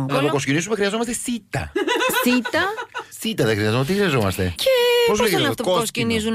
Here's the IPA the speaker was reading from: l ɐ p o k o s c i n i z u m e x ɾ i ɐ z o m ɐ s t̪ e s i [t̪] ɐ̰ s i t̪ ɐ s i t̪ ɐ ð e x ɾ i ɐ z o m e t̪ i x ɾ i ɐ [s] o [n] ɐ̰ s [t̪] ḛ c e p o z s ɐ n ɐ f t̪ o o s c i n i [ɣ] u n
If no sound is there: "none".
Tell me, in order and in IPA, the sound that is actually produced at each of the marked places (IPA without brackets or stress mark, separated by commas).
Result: t̪, z, m, t̪, z